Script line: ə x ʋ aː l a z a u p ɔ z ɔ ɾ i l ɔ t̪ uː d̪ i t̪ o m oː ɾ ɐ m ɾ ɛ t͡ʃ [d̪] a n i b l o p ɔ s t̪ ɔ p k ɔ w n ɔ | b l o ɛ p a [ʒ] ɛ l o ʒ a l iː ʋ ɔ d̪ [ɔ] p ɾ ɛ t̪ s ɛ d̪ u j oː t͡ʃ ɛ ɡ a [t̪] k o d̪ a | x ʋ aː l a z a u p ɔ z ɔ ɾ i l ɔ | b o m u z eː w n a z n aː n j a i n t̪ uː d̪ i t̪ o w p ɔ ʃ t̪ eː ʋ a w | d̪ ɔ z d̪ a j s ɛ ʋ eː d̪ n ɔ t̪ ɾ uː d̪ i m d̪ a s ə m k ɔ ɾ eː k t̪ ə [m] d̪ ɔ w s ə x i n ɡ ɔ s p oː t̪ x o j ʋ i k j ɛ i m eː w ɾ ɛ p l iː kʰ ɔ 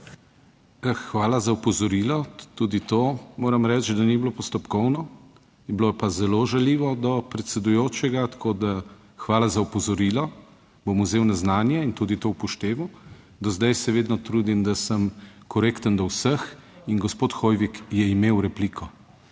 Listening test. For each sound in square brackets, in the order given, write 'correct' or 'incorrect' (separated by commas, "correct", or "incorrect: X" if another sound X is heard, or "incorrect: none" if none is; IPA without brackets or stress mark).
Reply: correct, incorrect: z, correct, correct, incorrect: n